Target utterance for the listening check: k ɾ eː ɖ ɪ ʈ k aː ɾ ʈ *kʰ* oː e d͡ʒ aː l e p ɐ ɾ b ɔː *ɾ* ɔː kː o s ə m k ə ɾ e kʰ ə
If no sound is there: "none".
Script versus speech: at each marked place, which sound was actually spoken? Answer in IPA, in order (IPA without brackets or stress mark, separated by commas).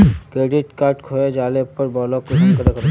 kʰ, l